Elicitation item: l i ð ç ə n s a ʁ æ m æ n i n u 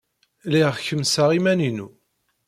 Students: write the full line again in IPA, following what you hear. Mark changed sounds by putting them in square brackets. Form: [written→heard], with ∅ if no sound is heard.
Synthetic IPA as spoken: l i [ð→ʁ] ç ə [n→m] s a ʁ [æ→i] m æ n i n u